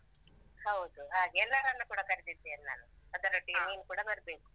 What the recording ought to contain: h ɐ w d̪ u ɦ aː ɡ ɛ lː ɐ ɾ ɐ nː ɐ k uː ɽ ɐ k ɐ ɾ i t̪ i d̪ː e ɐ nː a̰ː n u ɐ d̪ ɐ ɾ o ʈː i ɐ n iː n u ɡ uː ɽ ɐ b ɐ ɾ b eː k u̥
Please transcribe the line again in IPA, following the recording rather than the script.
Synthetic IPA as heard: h ɐ w d̪ u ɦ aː ɡ ɛ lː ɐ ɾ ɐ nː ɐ k uː ɽ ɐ k ɐ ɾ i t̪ i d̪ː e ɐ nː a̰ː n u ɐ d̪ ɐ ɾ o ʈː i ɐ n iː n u k uː ɽ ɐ b ɐ ɾ b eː k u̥

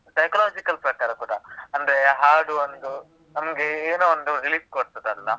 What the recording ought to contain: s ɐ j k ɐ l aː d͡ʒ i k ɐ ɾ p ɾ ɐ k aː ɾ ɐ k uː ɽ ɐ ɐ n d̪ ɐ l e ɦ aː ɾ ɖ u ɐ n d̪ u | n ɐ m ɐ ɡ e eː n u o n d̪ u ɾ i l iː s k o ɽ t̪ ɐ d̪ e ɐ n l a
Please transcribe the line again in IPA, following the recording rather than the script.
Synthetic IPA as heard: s ɐ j k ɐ l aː d͡ʒ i k ɐ l p ɾ ɐ k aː ɾ ɐ k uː ɽ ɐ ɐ n d̪ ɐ ɾ e ɦ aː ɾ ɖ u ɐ n d̪ u | n ɐ m ɐ ɡ e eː n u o n d̪ u ɾ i l iː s k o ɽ t̪ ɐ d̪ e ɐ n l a

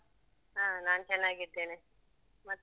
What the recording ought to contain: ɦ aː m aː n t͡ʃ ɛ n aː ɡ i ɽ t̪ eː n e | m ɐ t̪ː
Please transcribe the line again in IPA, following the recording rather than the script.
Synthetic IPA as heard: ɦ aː n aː n t͡ʃ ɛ nː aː ɡ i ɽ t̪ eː n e | m ɐ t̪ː

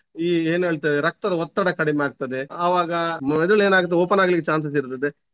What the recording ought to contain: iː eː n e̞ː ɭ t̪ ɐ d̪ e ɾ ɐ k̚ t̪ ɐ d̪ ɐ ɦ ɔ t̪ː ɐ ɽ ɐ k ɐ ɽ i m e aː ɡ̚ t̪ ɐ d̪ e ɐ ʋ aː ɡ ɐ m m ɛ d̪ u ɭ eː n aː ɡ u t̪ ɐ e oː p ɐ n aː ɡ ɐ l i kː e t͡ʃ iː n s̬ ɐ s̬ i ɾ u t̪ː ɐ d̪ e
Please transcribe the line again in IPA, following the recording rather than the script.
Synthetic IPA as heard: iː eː n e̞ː ɭ t̪ ɐ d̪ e ɾ ɐ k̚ t̪ ɐ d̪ ɐ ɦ ɔ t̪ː ɐ ɽ ɐ k ɐ ɽ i m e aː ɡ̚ t̪ ɐ d̪ e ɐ ʋ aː ɡ ɐ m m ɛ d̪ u ɭ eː n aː ɡ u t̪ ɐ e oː p ɐ n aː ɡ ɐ l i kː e t͡ʃ aː n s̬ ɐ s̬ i ɾ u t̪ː ɐ d̪ e

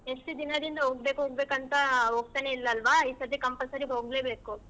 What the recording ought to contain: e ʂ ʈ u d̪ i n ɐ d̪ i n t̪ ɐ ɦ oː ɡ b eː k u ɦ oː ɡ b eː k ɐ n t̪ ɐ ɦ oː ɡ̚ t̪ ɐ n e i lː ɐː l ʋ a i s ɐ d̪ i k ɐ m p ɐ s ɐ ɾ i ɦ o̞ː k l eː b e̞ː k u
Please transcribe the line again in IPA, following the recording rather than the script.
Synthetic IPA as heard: e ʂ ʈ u d̪ i n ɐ d̪ i n d̪ ɐ ɦ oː ɡ b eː k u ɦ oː ɡ b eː k ɐ n t̪ ɐ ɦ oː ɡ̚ t̪ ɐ n e i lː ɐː l ʋ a i s ɐ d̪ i k ɐ m p ɐ s ɐ ɾ i ɦ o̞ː ɡ l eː b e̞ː k u

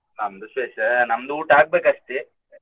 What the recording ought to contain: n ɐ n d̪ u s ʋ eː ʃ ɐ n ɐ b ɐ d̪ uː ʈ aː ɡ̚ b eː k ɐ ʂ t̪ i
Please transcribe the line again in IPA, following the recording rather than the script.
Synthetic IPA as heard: n ɐ m d̪ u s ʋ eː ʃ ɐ n ɐ m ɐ d̪ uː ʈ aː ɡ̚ b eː k ɐ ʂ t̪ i

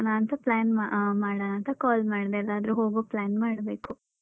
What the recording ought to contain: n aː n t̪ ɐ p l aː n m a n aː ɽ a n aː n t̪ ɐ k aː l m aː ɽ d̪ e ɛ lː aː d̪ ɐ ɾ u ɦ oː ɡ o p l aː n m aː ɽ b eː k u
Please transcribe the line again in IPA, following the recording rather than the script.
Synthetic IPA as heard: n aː n t̪ ɐ p l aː n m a m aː ɽ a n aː n t̪ ɐ k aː l m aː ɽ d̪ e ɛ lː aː d̪ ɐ ɾ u ɦ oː ɡ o p l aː n m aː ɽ b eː k u

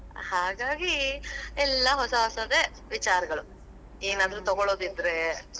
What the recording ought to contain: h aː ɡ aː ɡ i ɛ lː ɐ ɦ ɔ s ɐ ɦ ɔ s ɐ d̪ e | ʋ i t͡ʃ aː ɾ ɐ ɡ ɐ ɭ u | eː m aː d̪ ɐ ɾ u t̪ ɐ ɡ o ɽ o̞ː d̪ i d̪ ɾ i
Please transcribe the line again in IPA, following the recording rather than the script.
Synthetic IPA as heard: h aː ɡ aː ɡ i ɛ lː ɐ ɦ ɔ s ɐ ɦ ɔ s ɐ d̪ e | ʋ i t͡ʃ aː ɾ ɐ ɡ ɐ ɭ u | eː n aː d̪ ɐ ɾ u t̪ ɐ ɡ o ɭ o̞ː d̪ i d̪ ɾ e

